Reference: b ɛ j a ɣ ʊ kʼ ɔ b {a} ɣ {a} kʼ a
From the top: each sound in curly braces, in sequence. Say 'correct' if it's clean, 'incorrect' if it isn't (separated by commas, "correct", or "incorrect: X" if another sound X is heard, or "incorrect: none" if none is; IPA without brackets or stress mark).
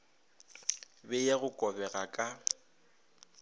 incorrect: ɛ, correct